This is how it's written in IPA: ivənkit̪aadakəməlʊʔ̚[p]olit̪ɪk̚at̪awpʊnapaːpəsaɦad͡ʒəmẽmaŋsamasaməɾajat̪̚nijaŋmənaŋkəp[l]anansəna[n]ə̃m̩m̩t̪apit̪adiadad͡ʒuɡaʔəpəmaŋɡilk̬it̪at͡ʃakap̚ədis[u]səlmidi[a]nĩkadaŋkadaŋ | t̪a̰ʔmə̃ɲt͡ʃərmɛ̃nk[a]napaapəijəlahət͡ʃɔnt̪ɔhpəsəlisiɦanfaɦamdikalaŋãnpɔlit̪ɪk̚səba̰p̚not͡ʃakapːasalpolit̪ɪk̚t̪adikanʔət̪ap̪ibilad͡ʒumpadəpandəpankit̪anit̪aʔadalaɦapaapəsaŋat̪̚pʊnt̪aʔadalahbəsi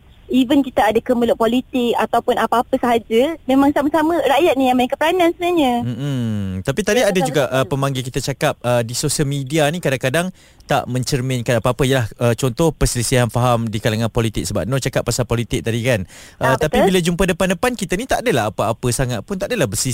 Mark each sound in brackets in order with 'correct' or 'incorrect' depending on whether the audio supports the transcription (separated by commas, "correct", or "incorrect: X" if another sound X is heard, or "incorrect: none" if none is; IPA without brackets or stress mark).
correct, incorrect: ɾ, incorrect: ɲ, incorrect: o, correct, correct